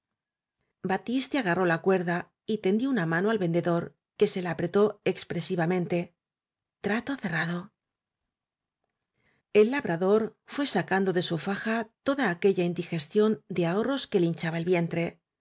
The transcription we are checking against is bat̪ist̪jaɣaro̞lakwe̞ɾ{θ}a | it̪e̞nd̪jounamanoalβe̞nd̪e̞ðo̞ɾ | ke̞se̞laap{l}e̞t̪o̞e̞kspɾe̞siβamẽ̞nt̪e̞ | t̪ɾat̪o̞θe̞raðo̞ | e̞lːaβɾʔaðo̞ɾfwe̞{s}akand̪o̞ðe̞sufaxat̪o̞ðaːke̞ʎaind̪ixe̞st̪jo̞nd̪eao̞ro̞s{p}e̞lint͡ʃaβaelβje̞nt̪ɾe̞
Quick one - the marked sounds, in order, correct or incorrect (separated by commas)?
incorrect, incorrect, correct, incorrect